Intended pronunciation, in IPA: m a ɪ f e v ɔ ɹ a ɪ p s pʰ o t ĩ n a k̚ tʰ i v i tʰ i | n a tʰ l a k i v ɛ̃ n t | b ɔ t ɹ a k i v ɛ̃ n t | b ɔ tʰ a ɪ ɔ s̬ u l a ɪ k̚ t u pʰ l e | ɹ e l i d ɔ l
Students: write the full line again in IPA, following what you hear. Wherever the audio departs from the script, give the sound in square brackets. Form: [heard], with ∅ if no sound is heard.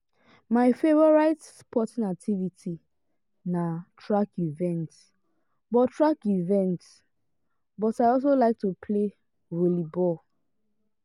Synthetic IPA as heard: m a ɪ f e v ɔ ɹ a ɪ [t] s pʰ [ɔ] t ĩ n a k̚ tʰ i v i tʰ i | n a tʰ [ɹ] a k i v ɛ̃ n t | b ɔ t ɹ a k i v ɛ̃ n t | b ɔ [t] a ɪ ɔ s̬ [o] l a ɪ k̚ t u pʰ l e | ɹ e l i [b] ɔ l